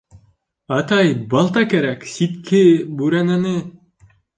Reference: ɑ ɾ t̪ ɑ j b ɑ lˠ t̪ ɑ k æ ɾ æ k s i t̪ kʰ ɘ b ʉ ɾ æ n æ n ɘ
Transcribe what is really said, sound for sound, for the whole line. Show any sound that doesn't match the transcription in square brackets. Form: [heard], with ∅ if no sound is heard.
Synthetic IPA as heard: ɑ [∅] t̪ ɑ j b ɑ lˠ t̪ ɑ k æ ɾ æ k s i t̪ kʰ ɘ b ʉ ɾ æ n æ n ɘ